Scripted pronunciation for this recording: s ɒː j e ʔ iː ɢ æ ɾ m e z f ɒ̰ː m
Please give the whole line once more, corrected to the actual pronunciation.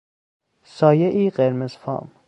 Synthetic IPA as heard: s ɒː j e ʔ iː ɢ e ɾ m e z f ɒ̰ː m